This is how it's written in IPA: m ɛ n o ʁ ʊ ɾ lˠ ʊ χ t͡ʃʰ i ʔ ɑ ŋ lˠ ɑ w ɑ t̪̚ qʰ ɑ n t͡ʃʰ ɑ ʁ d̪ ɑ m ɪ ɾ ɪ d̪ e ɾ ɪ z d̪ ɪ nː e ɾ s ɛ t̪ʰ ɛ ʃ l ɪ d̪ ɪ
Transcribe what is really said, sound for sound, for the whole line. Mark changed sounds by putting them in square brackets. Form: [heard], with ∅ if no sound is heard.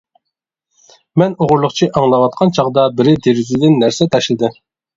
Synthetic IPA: m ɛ n o ʁ ʊ ɾ lˠ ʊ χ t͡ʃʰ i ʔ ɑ ŋ lˠ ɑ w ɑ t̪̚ qʰ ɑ n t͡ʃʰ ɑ ʁ d̪ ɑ [b] ɪ ɾ ɪ d̪ e ɾ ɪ z d̪ ɪ nː [æ] ɾ s ɛ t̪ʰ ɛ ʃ l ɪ d̪ ɪ

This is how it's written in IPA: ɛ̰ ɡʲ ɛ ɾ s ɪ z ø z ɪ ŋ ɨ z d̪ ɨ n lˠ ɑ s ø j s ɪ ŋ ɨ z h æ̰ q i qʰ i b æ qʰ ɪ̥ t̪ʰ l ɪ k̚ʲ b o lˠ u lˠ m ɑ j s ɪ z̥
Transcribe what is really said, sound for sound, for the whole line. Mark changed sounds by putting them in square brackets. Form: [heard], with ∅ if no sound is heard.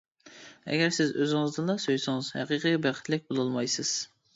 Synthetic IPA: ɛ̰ ɡʲ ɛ ɾ s ɪ z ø z ɪ ŋ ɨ z d̪ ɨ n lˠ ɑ s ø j s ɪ ŋ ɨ z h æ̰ q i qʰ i b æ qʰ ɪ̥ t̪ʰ l ɪ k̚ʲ b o lˠ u lˠ m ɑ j s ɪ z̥

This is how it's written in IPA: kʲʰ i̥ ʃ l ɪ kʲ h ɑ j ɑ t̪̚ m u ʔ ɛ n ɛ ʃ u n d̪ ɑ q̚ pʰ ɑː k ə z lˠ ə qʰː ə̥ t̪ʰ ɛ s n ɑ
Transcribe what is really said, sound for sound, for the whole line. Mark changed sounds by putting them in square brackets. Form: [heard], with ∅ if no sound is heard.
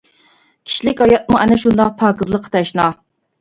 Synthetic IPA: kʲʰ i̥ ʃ l ɪ kʲ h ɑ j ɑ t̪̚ m u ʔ ɛ n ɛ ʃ u n d̪ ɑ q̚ pʰ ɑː k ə z lˠ ə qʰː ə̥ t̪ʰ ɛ [ʃ] n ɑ

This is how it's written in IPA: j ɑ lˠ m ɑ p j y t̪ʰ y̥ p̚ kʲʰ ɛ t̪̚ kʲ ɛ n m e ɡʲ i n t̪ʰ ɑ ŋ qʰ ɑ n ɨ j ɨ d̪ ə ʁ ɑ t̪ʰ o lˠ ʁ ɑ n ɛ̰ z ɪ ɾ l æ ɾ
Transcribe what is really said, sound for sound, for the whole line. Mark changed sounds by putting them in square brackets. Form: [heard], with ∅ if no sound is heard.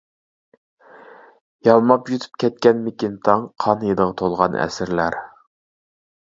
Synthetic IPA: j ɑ lˠ m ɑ p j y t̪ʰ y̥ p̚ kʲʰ ɛ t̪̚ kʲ ɛ n m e [kʲ] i n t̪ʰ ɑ ŋ qʰ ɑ n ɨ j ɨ d̪ ə ʁ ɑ t̪ʰ o lˠ ʁ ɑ n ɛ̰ [s] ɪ ɾ l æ ɾ

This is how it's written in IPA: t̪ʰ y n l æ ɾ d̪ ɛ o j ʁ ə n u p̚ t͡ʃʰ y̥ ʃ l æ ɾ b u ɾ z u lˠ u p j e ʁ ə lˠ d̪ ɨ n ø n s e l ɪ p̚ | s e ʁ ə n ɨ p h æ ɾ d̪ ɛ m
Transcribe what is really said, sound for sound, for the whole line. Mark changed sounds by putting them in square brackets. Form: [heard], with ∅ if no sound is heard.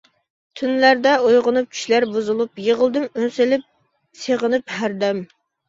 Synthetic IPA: t̪ʰ y n l æ ɾ d̪ ɛ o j ʁ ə n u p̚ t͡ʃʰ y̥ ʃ l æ ɾ b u [∅] z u lˠ u p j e ʁ ə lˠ d̪ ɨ [m] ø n s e l ɪ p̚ | s e ʁ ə n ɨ p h æ ɾ d̪ ɛ m

